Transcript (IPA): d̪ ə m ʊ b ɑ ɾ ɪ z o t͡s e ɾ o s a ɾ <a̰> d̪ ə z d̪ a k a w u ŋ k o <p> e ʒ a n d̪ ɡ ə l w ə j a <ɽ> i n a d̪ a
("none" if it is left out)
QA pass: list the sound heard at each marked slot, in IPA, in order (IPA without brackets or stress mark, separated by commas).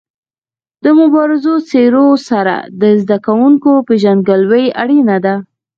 a̰, p, ɽ